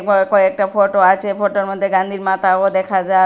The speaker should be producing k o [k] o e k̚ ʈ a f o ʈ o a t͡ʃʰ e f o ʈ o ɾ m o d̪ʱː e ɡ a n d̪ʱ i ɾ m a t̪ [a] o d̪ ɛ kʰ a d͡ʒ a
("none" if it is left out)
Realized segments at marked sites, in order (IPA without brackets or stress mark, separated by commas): k, a